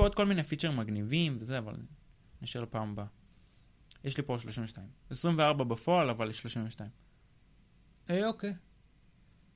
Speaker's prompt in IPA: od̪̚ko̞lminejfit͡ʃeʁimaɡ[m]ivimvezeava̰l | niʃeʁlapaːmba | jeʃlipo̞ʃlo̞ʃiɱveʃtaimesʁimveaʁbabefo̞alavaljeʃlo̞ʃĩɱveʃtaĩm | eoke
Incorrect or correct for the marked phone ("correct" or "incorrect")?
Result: incorrect